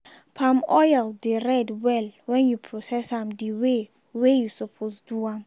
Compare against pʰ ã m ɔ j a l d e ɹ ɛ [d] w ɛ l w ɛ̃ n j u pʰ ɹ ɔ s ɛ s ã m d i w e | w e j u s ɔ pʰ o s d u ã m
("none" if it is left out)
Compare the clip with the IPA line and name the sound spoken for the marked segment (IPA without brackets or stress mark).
d